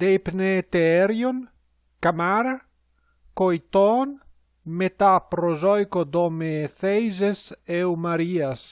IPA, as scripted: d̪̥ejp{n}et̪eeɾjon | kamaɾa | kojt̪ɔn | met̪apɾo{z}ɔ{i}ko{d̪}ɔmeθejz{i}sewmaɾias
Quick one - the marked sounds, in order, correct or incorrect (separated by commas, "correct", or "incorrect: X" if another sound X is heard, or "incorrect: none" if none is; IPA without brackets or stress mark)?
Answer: correct, correct, incorrect: j, correct, incorrect: e